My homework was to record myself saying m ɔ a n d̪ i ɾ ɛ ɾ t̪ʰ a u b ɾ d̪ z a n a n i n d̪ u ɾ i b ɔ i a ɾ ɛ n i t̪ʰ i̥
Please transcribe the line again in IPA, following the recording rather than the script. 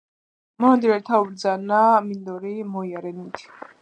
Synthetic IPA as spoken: m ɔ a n d̪ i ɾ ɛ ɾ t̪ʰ a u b ɾ d̪ z a n a m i n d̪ ɔ ɾ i m ɔ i a ɾ ɛ n i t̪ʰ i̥